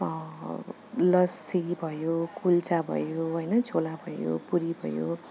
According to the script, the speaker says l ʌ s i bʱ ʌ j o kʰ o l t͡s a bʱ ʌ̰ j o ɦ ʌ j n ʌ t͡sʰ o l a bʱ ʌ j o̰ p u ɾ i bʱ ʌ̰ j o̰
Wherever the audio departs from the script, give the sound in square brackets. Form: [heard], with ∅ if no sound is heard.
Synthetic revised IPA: l ʌ s i bʱ ʌ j o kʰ [u] l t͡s a bʱ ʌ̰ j o ɦ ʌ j n ʌ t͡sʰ o l a bʱ ʌ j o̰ p u ɾ i bʱ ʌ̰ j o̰